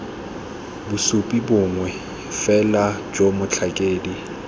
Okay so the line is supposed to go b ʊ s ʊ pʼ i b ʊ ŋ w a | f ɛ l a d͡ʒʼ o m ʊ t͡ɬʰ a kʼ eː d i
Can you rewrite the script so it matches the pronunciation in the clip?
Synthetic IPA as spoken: b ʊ s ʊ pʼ i b ʊ ŋ w ɛ | f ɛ l a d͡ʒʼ o m ʊ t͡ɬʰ a kʼ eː d i